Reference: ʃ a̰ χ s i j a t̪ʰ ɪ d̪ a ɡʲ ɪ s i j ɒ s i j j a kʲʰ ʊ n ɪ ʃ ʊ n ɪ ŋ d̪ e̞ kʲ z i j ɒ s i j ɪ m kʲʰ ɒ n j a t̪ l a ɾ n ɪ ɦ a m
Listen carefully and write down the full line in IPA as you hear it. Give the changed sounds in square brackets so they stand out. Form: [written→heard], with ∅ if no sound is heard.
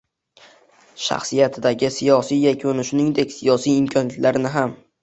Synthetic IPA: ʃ a̰ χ s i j a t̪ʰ ɪ d̪ a ɡʲ ɪ s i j ɒ s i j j a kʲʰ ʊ n ɪ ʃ ʊ n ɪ ŋ d̪ e̞ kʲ [z→s] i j ɒ s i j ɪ m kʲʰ ɒ n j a t̪ l a ɾ n ɪ ɦ a m